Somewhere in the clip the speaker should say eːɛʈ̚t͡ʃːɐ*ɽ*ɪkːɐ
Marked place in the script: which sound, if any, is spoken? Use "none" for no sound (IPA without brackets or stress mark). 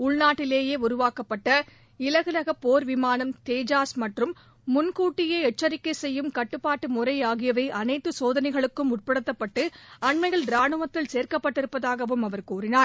ɾ